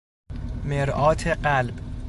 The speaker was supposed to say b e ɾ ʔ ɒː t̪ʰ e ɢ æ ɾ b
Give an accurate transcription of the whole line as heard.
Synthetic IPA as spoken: m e ɾ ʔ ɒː t̪ʰ e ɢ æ l b

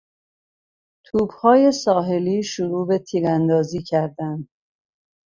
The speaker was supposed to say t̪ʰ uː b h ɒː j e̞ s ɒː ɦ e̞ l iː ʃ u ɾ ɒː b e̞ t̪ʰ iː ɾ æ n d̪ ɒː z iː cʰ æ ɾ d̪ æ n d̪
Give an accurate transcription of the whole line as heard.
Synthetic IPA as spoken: t̪ʰ uː b h ɒː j e̞ s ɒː ɦ e̞ l iː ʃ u ɾ uː b e̞ t̪ʰ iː ɾ æ n d̪ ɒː z iː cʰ æ ɾ d̪ æ n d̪

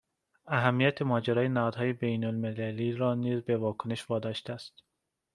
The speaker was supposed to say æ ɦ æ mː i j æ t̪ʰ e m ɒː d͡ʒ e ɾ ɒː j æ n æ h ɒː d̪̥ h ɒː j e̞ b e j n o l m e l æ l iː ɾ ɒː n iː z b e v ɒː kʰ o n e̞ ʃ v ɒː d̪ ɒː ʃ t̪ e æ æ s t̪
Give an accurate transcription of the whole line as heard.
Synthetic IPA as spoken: æ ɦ æ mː i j æ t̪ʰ e m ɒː d͡ʒ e ɾ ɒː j e n æ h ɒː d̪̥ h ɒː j e̞ b e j n o l m e l æ l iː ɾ ɒː n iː z b e v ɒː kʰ o n e̞ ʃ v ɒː d̪ ɒː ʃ t̪ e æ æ s t̪

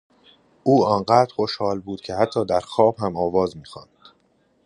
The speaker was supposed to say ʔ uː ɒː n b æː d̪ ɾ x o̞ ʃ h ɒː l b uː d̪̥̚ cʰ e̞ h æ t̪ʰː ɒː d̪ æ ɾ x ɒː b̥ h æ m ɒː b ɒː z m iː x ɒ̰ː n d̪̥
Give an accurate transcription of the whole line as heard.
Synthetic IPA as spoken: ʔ uː ɒː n ɢ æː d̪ ɾ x o̞ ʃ h ɒː l b uː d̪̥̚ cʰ e̞ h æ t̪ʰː ɒː d̪ æ ɾ x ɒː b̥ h æ m ɒː v ɒː z m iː x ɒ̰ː n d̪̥

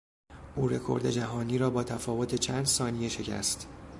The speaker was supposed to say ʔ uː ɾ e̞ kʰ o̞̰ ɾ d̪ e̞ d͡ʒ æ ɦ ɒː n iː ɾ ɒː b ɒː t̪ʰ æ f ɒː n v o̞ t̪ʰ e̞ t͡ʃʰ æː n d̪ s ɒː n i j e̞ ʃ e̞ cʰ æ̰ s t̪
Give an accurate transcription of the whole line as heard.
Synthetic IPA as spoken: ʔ uː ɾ e̞ kʰ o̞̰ ɾ d̪ e̞ d͡ʒ æ ɦ ɒː n iː ɾ ɒː b ɒː t̪ʰ æ f ɒː v o̞ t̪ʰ e̞ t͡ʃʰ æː n d̪ s ɒː n i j e̞ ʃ e̞ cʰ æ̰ s t̪

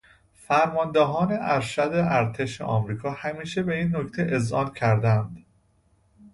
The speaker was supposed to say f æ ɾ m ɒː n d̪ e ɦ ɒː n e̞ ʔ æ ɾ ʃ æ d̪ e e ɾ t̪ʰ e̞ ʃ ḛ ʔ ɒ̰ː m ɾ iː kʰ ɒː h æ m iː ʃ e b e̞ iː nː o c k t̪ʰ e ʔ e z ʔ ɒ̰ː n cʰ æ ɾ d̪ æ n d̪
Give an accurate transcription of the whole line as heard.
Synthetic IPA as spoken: f æ ɾ m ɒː n d̪ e ɦ ɒː n e̞ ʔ æ ɾ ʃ æ d̪ e æ ɾ t̪ʰ e̞ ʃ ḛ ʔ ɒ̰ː m ɾ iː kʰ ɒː h æ m iː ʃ e b e̞ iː nː o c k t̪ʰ e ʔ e z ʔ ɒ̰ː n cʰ æ ɾ d̪ æ n d̪

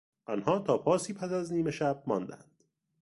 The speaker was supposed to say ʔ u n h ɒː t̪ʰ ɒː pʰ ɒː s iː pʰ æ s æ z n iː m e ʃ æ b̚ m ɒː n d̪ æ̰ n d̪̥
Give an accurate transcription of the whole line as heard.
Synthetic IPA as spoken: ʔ ɒ n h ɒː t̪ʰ ɒː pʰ ɒː s iː pʰ æ s æ z n iː m e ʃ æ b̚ m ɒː n d̪ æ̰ n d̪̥

